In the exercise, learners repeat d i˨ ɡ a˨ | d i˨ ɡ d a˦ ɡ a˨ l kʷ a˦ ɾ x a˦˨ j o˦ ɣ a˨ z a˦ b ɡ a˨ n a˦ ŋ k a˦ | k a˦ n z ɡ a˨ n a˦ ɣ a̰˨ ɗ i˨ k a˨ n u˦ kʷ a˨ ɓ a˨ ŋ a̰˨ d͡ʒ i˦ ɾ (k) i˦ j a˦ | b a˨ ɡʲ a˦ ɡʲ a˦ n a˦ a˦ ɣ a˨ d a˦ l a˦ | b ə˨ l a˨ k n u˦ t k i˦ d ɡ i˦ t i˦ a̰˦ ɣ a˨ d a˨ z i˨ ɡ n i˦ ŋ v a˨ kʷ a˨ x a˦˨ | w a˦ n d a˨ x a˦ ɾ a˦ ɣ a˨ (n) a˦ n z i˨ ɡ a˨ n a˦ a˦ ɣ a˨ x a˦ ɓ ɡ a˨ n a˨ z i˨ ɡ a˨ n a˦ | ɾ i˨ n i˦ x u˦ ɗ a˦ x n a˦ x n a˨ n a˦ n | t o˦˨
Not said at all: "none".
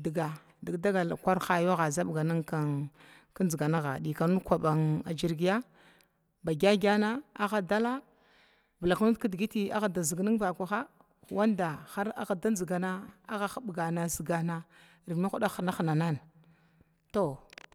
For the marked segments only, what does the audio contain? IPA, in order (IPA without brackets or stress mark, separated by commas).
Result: ɡ, d